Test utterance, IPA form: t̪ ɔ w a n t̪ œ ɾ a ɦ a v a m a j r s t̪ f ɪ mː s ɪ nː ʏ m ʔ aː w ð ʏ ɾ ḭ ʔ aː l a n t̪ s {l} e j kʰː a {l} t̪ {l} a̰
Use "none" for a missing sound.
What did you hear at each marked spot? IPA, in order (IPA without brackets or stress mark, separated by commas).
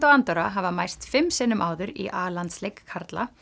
l, ɾ, l